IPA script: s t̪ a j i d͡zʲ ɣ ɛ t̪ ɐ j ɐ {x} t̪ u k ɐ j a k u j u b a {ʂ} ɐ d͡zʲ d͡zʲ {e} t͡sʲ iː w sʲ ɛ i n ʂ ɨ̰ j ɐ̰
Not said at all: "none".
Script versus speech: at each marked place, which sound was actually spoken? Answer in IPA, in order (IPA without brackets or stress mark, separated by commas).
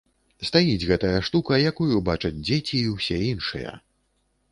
ʂ, t͡ʂ, e